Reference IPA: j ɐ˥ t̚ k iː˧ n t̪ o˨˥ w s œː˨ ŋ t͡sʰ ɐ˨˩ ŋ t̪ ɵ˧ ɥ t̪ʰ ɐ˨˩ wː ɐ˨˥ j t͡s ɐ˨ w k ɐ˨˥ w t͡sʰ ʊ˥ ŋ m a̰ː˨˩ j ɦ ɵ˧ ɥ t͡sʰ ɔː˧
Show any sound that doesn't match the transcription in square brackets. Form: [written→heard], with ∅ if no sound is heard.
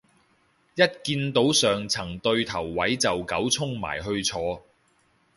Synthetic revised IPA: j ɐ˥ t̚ k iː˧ n t̪ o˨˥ w s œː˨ ŋ t͡sʰ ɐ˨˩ ŋ t̪ ɵ˧ ɥ t̪ʰ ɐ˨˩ wː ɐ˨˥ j t͡s ɐ˨ w k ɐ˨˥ w t͡sʰ ʊ˥ ŋ m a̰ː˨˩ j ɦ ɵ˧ ɥ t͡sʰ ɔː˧